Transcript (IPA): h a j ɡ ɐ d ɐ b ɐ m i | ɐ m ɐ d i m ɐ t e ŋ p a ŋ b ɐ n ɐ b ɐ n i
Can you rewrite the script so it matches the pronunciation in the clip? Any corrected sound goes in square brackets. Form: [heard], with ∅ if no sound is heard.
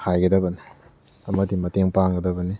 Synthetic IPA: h a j ɡ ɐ d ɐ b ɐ [n] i | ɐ m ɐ d i m ɐ t e ŋ p a ŋ [ɡ] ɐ [d] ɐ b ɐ n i